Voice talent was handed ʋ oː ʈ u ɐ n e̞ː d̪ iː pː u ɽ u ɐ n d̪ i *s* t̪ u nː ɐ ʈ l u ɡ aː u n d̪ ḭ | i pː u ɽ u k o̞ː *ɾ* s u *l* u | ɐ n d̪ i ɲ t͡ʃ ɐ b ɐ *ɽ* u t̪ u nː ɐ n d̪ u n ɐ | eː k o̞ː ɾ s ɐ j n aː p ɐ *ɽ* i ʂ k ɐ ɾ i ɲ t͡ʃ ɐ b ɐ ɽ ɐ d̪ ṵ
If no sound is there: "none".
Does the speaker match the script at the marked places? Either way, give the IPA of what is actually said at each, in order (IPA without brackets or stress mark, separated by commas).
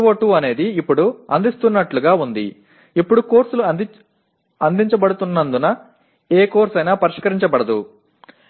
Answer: s, ɾ, l, ɽ, ɾ